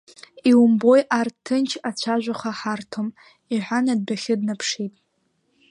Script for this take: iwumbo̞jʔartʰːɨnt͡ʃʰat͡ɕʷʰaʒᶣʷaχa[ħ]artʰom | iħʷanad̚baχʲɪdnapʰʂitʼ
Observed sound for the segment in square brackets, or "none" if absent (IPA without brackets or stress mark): ħ